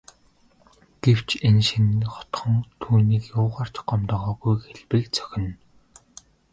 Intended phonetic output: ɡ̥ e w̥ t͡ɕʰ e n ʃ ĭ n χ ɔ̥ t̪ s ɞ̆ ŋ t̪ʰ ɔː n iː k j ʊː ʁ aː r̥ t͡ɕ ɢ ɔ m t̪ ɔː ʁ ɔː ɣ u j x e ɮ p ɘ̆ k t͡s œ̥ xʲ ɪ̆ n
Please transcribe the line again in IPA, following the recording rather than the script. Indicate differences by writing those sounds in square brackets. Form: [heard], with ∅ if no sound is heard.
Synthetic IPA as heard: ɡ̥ e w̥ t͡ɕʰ e n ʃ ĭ n χ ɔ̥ t̪ [χ] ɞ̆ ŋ t̪ʰ [uː] n iː k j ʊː ʁ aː r̥ t͡ɕ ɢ ɔ m t̪ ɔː ʁ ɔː ɣ u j x e ɮ p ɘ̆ k t͡s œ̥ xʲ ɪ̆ n